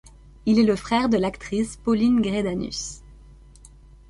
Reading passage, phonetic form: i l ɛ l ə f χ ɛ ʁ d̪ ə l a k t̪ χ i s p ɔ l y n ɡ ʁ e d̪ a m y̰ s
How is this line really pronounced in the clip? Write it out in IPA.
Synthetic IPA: i l ɛ l ə f χ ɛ ʁ d̪ ə l a k t̪ χ i s p ɔ l i n ɡ ʁ e d̪ a n y̰ s